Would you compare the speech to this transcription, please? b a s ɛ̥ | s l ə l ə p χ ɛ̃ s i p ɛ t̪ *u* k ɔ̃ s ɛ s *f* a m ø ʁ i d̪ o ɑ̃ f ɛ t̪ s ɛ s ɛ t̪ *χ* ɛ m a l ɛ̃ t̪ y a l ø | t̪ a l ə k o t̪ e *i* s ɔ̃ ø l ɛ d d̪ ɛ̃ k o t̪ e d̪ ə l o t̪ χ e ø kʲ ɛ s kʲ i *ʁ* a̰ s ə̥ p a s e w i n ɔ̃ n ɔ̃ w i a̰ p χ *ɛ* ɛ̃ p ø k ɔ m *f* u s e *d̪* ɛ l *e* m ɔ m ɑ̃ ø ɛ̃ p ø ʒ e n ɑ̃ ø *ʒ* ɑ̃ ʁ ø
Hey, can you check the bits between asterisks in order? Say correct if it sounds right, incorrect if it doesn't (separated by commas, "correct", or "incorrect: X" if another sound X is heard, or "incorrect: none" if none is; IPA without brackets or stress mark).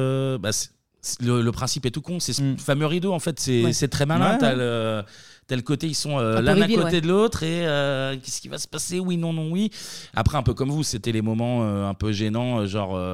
correct, correct, correct, correct, incorrect: v, correct, incorrect: v, incorrect: t̪, correct, correct